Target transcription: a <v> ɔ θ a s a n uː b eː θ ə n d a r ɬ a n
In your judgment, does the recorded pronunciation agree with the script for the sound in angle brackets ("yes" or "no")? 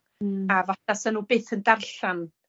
yes